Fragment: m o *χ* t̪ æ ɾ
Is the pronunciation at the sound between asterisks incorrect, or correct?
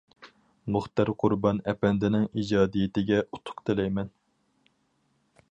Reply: correct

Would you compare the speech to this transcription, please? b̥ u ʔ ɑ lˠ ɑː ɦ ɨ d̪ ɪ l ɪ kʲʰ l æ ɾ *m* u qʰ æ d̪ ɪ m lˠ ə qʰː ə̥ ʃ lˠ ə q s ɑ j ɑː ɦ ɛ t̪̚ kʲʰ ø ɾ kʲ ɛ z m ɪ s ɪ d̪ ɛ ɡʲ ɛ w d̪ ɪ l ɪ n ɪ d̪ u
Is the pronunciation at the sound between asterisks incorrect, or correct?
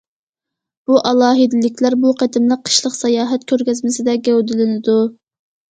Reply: incorrect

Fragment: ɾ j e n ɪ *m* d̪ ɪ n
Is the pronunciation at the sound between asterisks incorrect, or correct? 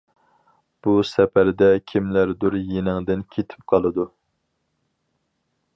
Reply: incorrect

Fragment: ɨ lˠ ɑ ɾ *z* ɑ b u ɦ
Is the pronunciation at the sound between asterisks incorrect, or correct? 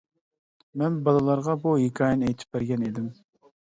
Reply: incorrect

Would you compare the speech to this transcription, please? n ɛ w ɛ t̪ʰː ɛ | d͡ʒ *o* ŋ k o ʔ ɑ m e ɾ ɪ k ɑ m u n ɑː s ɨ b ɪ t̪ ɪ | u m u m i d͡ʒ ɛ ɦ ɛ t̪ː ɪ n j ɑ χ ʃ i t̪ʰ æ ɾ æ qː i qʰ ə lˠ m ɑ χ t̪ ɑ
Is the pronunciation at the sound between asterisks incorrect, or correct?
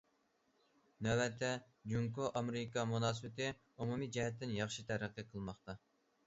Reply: incorrect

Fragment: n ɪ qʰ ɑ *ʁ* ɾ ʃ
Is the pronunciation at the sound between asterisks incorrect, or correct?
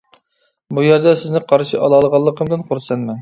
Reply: incorrect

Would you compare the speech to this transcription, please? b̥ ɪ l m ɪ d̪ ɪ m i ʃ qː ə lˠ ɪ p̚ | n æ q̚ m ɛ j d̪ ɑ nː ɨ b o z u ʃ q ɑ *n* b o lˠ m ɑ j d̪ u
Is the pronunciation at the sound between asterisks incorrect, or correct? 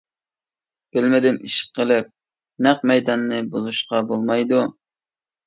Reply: incorrect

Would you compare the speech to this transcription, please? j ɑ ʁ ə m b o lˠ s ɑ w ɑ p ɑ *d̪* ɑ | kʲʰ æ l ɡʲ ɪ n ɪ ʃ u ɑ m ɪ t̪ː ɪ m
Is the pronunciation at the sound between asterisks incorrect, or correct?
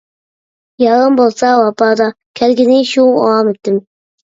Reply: correct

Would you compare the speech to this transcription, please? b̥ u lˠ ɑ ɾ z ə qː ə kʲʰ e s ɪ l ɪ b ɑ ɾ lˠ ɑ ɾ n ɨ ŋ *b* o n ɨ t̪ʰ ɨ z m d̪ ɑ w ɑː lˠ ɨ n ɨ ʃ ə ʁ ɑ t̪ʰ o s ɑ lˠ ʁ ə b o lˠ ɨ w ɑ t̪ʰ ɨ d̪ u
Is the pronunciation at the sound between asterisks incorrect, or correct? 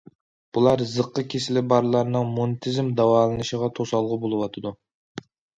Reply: incorrect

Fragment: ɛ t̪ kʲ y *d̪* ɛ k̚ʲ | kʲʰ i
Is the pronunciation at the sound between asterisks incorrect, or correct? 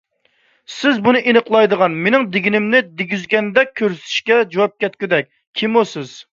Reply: correct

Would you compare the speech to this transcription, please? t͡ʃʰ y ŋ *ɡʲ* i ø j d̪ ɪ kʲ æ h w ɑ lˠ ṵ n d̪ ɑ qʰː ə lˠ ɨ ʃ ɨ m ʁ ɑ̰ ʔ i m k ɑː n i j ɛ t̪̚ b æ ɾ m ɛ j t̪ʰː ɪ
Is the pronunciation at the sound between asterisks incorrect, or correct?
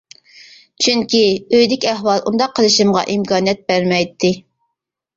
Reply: incorrect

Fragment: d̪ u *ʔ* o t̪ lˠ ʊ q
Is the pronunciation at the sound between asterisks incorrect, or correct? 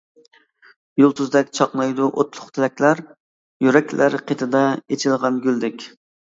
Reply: correct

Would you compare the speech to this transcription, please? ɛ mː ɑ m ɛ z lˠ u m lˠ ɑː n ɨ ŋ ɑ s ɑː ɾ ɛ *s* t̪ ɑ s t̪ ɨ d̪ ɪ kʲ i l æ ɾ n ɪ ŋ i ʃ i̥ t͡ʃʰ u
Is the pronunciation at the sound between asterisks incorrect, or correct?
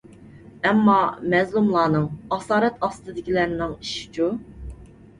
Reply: incorrect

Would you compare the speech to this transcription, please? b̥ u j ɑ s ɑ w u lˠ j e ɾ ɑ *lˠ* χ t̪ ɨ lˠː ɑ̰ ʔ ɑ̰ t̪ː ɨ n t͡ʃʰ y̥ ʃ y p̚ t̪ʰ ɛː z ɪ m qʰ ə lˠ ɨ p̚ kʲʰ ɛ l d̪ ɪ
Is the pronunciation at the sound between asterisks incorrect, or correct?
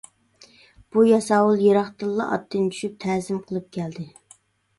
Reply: incorrect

